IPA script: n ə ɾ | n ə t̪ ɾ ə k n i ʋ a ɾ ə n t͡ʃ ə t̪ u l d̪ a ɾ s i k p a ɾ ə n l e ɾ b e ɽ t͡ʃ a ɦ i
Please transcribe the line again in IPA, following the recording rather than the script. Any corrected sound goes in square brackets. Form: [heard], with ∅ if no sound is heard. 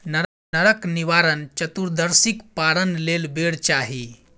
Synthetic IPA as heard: n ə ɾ | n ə [∅] ɾ ə k n i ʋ a ɾ ə n t͡ʃ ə t̪ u [ɾ] d̪ [ə] ɾ s i k p a ɾ ə n l e [l] b e ɽ t͡ʃ a ɦ i